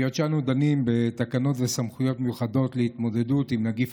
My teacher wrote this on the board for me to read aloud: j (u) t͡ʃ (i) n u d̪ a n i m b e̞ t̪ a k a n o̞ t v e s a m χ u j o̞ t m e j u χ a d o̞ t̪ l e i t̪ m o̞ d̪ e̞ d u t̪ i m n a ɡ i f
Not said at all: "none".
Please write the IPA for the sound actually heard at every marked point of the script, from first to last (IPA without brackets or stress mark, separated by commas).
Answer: o, a